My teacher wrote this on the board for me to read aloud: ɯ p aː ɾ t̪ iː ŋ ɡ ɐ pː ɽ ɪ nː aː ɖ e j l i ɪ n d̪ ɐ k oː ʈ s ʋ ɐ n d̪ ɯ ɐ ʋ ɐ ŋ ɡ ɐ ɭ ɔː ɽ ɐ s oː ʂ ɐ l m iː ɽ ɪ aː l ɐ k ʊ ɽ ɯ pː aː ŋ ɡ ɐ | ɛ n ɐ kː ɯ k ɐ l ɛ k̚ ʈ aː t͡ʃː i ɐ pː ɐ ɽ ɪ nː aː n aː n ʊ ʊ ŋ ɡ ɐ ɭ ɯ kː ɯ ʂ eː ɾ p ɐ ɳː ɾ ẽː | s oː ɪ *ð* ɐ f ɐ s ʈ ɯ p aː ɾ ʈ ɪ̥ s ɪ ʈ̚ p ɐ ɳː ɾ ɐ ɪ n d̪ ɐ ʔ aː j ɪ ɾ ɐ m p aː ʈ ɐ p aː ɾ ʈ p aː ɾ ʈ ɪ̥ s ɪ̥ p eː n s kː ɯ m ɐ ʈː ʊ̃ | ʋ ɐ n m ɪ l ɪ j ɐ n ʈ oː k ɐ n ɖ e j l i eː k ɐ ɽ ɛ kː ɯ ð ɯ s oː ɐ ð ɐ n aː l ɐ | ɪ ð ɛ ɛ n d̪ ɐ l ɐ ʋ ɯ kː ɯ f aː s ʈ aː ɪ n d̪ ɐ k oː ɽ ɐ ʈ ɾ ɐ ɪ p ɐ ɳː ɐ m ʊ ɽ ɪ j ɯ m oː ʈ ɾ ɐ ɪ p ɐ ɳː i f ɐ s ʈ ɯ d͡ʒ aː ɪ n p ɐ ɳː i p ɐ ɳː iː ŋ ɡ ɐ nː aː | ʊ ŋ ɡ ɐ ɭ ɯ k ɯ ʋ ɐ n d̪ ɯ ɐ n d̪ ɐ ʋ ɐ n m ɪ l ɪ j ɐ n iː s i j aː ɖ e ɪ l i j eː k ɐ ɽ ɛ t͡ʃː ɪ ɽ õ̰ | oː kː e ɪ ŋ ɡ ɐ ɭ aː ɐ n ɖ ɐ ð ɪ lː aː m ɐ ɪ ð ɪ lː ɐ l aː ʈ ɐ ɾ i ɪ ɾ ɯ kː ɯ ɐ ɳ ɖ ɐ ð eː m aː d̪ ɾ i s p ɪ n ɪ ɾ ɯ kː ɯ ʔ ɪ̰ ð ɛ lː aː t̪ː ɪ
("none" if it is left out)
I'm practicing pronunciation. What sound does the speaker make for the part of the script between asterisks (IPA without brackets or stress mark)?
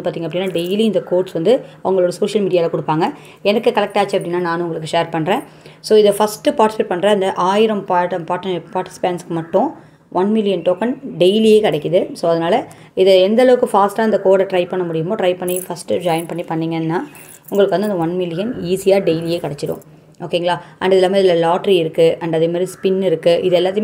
ð